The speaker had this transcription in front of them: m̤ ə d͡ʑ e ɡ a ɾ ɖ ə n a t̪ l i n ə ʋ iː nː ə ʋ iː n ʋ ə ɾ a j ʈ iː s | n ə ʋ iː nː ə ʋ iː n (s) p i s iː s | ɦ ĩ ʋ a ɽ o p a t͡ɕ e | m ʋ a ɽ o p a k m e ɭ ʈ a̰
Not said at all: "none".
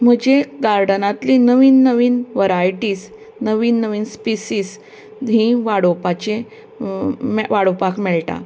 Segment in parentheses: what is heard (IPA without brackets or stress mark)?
s